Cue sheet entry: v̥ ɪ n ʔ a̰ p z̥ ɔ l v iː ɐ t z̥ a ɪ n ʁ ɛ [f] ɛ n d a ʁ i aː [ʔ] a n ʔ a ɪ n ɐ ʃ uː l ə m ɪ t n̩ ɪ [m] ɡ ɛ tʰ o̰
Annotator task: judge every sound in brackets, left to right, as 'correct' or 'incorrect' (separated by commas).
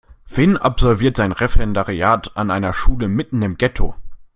correct, incorrect, correct